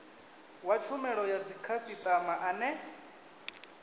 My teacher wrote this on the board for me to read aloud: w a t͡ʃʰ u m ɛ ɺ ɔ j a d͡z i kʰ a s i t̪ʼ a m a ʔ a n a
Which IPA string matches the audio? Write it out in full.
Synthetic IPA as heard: w a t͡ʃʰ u m ɛ ɺ ɔ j a d͡z i kʰ a s i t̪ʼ a m a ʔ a n ɛ